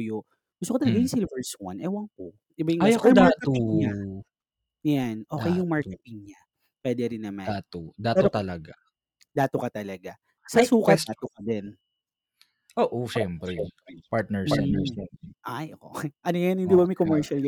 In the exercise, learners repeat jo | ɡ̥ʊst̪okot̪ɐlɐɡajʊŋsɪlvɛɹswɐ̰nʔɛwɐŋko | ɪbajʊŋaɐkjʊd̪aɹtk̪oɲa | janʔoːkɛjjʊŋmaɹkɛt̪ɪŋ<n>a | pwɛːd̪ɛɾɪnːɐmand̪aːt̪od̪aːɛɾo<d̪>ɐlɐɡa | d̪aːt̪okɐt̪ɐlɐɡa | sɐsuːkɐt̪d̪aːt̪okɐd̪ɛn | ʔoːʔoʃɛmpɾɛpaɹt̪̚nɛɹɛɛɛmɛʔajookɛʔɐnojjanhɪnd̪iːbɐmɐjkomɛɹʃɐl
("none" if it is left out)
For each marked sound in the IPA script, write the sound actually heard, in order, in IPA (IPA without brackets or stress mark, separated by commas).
ɲ, t̪